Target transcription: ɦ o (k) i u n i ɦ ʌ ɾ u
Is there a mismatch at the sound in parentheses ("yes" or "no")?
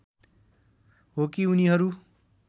no